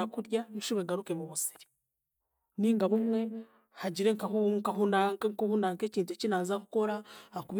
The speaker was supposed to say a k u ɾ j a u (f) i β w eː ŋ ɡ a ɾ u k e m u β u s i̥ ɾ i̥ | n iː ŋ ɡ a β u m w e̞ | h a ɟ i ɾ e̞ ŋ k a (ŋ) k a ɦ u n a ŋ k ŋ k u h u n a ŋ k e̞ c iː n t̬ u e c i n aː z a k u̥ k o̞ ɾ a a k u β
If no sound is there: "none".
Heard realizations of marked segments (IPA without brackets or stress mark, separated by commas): ʃ, ŋ